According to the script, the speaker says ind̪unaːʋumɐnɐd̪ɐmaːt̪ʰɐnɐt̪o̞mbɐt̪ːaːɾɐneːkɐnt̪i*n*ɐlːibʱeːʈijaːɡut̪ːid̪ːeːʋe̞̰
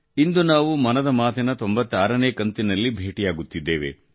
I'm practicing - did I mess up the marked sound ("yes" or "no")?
no